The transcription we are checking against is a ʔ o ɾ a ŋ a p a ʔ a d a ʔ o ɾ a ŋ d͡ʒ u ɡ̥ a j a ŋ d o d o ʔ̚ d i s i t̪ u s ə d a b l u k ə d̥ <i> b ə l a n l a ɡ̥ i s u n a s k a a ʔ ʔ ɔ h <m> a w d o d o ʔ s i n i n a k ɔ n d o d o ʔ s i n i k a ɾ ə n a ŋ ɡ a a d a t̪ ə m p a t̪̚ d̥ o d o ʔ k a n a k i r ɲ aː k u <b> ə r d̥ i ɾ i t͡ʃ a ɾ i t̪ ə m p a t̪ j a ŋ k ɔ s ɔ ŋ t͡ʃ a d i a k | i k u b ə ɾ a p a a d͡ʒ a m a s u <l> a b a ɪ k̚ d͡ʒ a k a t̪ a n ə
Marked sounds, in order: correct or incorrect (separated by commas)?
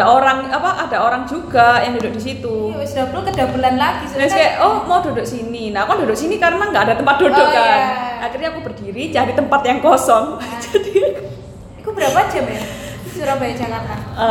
incorrect, correct, correct, incorrect